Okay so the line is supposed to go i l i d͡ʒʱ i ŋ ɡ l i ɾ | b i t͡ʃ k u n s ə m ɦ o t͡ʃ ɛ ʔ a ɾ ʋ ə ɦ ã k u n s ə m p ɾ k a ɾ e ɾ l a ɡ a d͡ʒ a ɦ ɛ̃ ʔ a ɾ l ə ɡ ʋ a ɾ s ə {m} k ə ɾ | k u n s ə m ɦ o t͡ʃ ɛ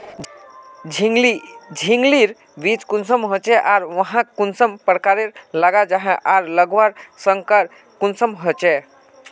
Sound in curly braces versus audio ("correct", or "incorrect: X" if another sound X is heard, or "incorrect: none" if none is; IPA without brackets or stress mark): incorrect: ŋ